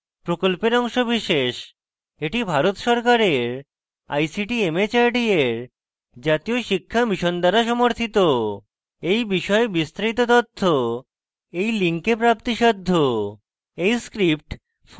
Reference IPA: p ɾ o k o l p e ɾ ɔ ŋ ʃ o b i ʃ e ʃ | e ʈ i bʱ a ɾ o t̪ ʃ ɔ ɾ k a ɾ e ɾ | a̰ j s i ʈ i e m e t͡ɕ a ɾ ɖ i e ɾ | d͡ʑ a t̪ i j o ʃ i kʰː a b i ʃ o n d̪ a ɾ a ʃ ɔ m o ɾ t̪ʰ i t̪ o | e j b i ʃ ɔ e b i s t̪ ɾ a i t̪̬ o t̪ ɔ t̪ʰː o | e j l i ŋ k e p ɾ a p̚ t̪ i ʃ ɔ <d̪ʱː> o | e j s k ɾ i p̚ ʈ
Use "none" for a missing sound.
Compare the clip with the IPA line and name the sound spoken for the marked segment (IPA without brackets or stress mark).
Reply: d̪ʱː